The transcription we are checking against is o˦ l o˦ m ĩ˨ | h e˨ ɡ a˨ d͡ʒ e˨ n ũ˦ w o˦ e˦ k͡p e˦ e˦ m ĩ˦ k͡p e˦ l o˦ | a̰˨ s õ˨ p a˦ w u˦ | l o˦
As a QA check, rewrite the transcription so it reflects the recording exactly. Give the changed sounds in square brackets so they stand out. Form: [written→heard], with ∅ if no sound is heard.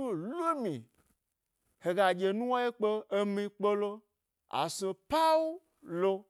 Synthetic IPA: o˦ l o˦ m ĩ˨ | h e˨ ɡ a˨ d͡ʒ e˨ n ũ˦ w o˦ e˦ k͡p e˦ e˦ m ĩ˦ k͡p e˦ l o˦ | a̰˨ s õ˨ p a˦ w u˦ | l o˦